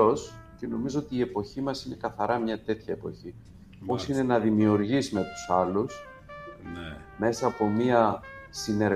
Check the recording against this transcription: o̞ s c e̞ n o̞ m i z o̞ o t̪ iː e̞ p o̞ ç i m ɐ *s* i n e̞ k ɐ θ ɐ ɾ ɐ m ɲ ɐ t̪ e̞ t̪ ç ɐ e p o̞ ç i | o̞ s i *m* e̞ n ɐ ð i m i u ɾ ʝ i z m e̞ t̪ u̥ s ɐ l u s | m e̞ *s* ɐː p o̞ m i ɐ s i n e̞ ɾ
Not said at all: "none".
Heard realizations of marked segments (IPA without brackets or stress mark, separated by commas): s, n, s